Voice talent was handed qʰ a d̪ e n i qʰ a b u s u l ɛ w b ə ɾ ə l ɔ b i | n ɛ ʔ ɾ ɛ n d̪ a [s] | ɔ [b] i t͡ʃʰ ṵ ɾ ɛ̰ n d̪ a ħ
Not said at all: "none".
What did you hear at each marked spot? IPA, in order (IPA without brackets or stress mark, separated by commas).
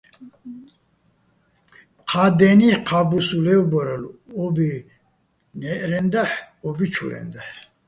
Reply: ħ, b